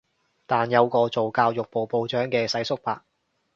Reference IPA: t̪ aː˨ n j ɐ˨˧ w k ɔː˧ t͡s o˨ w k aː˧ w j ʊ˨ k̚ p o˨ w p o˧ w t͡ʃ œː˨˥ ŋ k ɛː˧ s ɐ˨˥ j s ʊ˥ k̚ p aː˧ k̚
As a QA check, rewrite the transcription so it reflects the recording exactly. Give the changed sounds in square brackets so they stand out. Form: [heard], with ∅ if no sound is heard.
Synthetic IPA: t̪ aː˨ n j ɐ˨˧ w k ɔː˧ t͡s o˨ w k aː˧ w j ʊ˨ k̚ p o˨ w p o˧ w t͡ʃ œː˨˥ ŋ k ɛː˧ s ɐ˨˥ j s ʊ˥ k̚ p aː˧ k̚